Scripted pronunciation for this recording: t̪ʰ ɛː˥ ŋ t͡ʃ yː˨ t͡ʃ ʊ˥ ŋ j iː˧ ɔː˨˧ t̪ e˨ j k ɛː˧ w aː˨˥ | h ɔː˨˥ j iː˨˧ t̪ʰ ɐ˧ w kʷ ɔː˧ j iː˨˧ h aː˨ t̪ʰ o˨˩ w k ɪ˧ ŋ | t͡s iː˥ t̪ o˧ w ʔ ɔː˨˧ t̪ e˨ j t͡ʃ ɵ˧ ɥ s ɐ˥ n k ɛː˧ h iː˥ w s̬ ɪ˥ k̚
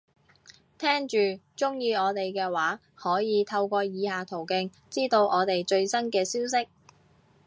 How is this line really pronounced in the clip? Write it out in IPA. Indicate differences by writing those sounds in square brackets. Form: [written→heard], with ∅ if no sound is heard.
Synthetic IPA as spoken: t̪ʰ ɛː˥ ŋ t͡ʃ yː˨ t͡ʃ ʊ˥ ŋ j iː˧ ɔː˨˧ t̪ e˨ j k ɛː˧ w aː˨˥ | h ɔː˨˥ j iː˨˧ t̪ʰ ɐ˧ w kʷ ɔː˧ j iː˨˧ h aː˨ t̪ʰ o˨˩ w k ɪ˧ ŋ | t͡s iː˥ t̪ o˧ w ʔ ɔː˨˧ t̪ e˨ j t͡ʃ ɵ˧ ɥ s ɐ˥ n k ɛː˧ [h→s] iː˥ w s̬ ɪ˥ k̚